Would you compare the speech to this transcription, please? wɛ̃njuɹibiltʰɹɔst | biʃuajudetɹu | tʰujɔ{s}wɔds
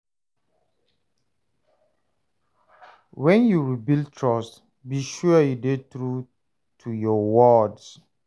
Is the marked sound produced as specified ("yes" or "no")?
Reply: no